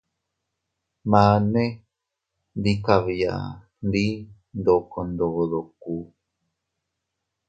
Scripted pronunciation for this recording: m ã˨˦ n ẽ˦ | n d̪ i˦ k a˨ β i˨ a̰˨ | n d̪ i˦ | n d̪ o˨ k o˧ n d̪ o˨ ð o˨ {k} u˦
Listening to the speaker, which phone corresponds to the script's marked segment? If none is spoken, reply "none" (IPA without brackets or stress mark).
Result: k